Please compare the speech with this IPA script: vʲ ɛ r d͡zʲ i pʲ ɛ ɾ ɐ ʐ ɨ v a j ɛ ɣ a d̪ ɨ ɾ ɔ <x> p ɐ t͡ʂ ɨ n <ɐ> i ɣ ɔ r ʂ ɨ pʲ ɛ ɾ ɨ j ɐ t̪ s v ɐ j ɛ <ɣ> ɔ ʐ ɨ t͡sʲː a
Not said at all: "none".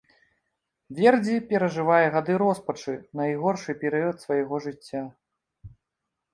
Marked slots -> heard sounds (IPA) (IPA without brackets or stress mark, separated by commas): s, ɐ, ɣ